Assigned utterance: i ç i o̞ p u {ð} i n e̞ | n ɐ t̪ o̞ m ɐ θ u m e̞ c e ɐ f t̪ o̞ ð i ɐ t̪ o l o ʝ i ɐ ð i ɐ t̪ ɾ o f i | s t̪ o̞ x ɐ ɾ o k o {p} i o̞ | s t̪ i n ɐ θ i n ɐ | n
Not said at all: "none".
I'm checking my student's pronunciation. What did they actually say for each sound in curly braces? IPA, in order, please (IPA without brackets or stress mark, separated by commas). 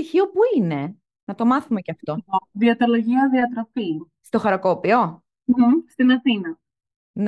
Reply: none, p